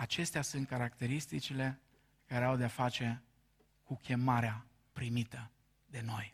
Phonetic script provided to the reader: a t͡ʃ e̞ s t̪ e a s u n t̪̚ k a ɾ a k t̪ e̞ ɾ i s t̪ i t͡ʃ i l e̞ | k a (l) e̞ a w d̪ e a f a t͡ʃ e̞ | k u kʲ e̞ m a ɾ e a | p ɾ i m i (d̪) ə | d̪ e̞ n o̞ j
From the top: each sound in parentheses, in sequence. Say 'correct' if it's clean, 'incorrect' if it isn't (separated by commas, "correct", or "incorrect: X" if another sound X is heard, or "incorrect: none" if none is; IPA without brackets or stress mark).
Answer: incorrect: ɾ, incorrect: t̪